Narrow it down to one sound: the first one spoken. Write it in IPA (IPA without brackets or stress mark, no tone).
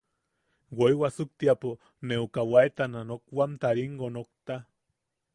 w